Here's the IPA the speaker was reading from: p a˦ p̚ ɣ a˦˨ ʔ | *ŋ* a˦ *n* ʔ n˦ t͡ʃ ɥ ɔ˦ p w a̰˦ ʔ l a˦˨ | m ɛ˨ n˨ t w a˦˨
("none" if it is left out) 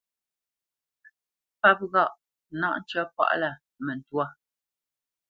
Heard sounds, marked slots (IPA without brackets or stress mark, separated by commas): n, none